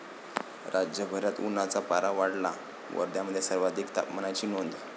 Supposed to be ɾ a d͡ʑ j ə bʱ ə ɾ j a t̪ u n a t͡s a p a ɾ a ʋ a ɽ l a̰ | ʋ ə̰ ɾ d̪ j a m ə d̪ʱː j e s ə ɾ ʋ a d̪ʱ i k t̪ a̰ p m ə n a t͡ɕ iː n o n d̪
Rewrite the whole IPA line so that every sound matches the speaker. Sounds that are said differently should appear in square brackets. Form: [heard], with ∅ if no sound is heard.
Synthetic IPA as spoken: ɾ a d͡ʑ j ə bʱ ə ɾ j a t̪ u n a t͡s a p a ɾ a ʋ a ɽ l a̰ | ʋ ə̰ ɾ d̪ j a m ə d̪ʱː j e s ə ɾ ʋ a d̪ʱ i k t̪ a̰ p m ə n a t͡ɕ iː n o n d̪